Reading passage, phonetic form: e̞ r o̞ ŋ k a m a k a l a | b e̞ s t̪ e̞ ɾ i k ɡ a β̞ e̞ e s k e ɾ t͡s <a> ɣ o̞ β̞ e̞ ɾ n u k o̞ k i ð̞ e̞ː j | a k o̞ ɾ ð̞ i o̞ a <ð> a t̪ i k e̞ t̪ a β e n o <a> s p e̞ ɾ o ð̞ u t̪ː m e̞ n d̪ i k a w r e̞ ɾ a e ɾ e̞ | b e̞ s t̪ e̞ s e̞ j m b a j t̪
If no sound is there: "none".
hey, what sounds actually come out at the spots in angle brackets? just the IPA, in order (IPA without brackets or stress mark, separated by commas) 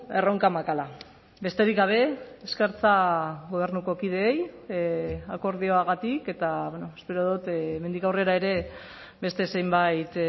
a, ɣ, e